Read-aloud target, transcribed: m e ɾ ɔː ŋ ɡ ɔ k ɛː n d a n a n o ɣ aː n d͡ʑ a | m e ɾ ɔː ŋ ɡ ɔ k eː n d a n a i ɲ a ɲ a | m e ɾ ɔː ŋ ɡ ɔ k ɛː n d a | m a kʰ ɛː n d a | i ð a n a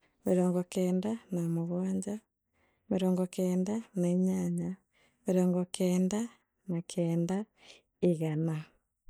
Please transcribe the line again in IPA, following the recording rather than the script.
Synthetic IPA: m e ɾ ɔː ŋ ɡ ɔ k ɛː n d a n a m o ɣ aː ɲ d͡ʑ a | m e ɾ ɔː ŋ ɡ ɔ k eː n d a n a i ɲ a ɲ a | m e ɾ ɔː ŋ ɡ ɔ k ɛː n d a | n a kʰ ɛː n d a | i ɣ a n a